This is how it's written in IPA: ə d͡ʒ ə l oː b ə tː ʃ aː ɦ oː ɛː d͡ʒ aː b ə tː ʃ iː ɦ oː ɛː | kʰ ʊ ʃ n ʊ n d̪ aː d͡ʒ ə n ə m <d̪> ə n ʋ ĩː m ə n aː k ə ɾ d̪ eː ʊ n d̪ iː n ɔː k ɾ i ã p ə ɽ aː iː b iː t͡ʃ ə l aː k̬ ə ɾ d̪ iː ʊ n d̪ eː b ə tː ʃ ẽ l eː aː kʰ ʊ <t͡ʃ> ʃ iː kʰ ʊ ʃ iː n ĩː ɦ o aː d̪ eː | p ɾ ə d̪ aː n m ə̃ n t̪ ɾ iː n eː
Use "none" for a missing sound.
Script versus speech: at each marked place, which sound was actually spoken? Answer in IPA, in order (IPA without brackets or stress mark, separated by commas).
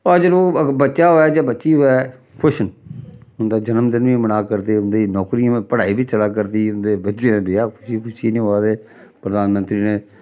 d̪, none